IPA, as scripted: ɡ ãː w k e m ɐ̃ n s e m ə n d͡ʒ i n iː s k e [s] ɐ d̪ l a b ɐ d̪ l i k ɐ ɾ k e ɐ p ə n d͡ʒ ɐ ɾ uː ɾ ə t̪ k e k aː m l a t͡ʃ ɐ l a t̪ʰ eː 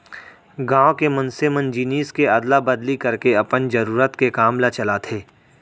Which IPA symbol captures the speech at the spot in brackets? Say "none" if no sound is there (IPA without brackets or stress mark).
none